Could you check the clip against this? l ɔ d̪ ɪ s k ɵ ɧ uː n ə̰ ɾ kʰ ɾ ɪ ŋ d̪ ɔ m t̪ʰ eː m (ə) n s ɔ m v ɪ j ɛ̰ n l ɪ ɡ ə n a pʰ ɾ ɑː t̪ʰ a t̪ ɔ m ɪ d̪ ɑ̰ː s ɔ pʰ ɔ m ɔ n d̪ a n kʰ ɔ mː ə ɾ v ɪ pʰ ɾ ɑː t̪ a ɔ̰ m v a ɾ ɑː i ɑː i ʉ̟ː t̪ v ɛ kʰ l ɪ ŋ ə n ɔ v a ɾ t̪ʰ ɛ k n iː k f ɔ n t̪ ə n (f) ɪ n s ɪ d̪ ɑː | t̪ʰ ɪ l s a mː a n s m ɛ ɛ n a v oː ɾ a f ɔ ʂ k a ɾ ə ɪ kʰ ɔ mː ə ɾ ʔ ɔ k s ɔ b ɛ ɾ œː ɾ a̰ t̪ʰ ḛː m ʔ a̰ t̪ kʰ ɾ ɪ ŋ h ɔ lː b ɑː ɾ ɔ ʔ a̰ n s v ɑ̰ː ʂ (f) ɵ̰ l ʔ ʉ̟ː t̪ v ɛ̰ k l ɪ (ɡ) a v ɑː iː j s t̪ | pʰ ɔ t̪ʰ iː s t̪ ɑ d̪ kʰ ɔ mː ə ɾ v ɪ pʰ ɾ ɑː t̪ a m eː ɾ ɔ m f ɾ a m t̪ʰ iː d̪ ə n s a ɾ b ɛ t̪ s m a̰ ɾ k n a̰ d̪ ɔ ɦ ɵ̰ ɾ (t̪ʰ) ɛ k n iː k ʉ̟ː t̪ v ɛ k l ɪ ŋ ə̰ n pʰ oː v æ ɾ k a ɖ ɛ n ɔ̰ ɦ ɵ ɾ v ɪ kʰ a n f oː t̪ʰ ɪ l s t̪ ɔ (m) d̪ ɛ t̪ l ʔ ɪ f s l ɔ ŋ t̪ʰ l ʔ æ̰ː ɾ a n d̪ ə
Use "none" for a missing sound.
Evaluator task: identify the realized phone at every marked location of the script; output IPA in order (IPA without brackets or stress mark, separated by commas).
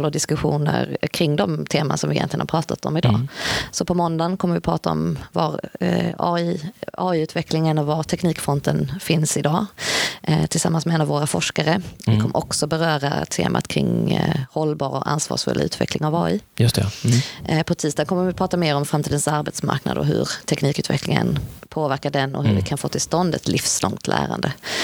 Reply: a, f, f, ŋ, t̪ʰ, n